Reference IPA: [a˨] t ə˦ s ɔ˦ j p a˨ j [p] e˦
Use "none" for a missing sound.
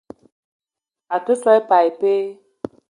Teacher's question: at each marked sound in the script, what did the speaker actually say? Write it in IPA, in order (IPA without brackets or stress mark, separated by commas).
a˨, p